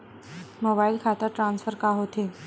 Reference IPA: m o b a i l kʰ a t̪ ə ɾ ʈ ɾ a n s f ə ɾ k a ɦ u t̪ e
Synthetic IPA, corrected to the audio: m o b a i l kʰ a t̪ ə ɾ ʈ ɾ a n s f ə ɾ k a ɦ o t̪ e